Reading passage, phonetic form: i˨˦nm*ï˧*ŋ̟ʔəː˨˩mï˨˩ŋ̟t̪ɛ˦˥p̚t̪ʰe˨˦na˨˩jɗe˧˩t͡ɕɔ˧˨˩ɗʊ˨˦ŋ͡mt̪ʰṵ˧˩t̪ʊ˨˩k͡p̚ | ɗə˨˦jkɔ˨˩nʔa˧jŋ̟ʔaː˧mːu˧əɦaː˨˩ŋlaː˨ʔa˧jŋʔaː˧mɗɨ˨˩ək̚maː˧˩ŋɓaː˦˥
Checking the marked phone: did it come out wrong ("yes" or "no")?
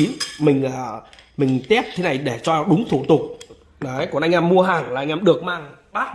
yes